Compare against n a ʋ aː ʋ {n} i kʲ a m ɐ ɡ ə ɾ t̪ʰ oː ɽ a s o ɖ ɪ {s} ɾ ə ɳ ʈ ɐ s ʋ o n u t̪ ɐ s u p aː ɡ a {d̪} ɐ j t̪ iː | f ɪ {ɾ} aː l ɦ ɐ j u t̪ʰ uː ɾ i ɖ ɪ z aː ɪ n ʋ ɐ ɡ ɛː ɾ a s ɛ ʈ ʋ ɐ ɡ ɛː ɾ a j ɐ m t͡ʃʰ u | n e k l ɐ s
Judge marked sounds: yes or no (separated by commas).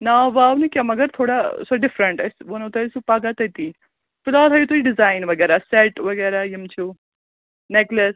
yes, no, no, no